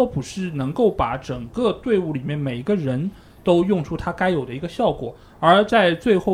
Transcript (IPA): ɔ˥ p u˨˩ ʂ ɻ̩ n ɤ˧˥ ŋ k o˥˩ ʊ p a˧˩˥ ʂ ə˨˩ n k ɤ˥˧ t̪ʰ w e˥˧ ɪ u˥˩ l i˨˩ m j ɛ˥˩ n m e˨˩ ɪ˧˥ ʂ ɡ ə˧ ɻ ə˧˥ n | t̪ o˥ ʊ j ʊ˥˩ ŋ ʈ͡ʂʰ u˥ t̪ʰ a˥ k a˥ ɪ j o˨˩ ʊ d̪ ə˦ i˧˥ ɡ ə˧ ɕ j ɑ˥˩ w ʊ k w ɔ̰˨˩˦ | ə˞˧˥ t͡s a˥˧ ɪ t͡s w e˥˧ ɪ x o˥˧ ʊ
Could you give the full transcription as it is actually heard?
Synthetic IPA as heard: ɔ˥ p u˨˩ ʂ ɻ̩ n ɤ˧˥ ŋ k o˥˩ ʊ p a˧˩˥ ʈ͡ʂ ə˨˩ ŋ k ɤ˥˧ t̪ w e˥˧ ɪ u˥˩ l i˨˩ m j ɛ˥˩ n m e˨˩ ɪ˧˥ ɡ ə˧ ɻ ə˧˥ n | t̪ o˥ ʊ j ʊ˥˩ ŋ ʈ͡ʂʰ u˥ t̪ʰ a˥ k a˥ ɪ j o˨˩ ʊ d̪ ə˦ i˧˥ ɡ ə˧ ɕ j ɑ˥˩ ʊ k w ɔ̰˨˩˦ | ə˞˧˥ t͡s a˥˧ ɪ t͡s w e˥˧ ɪ x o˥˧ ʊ